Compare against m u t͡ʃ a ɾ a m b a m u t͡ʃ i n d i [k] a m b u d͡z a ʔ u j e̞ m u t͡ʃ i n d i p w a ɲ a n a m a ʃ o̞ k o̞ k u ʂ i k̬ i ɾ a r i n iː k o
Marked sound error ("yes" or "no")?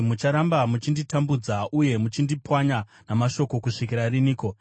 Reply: yes